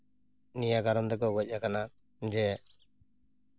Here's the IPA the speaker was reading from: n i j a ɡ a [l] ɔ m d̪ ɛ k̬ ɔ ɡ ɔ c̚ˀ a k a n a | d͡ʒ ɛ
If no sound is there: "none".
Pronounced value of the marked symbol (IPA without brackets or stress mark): ɾ